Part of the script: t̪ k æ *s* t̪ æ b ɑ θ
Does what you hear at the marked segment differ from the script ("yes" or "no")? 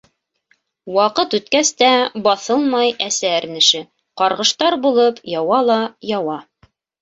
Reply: no